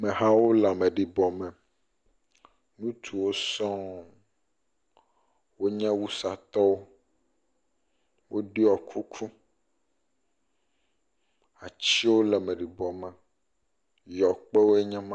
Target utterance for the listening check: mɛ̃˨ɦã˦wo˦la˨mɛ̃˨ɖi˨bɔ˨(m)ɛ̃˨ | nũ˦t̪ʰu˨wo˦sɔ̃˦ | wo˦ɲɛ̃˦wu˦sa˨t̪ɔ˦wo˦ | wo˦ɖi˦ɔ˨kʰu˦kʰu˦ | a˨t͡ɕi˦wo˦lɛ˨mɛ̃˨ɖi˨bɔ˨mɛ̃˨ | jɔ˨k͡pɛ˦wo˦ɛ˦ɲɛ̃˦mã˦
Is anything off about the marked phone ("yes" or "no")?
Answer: no